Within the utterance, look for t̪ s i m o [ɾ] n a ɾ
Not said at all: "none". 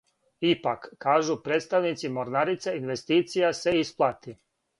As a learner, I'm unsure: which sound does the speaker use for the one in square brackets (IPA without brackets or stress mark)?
ɾ